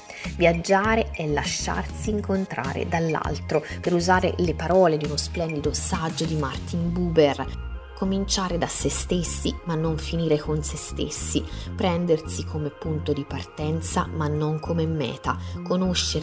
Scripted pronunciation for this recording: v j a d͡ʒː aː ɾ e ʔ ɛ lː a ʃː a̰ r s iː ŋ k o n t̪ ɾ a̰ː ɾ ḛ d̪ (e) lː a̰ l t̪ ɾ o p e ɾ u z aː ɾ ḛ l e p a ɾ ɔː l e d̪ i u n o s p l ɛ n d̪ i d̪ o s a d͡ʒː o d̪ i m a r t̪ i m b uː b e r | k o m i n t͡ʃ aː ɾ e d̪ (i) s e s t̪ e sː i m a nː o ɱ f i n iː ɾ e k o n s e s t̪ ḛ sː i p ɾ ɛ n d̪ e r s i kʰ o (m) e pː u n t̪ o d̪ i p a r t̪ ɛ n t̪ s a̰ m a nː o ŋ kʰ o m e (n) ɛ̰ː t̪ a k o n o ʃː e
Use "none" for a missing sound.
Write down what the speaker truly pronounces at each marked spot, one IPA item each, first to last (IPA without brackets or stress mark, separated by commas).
a, a, m, m